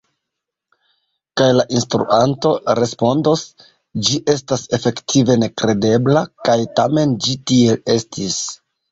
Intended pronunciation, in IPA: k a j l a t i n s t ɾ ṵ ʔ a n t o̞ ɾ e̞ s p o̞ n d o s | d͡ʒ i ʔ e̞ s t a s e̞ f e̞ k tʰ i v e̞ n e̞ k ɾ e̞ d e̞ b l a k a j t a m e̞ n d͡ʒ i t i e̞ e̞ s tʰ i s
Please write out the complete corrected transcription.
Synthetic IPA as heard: k a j l a ʔ i n s t ɾ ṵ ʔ a n t o̞ ɾ e̞ s p o̞ n d o s | d͡ʒ i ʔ e̞ s t a s e̞ f e̞ k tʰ i v e̞ n e̞ k ɾ e̞ d e̞ b l a k a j t a m e̞ n d͡ʒ i t i e̞ e̞ s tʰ i s